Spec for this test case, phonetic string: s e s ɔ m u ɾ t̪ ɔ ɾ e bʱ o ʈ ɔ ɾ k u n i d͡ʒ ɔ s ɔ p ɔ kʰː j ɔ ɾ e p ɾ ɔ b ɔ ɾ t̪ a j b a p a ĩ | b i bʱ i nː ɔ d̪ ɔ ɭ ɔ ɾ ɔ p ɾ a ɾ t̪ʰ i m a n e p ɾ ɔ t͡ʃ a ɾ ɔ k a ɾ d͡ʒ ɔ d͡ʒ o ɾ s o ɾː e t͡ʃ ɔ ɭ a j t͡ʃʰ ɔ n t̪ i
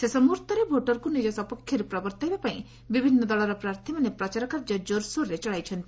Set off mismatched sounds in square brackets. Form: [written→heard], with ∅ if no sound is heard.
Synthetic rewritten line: s e s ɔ m u ɾ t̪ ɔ ɾ e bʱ o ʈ ɔ ɾ k u n i d͡ʒ ɔ s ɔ p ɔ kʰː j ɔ ɾ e p ɾ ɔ b ɔ ɾ t̪ a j b a p a ĩ | b i bʱ i nː ɔ d̪ ɔ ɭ ɔ ɾ ɔ p ɾ a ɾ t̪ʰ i m a n e p ɾ ɔ t͡ʃ a ɾ ɔ k a ɾ d͡ʒ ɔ d͡ʒ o ɾ s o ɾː e t͡ʃ ɔ ɭ a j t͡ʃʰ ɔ n t̪ i